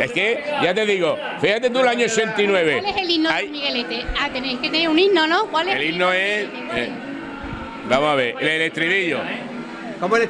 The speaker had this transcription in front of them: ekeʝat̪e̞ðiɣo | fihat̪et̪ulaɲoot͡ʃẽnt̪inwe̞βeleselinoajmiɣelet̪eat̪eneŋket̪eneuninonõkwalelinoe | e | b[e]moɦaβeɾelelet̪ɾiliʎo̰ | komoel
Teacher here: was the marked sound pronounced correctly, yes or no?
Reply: no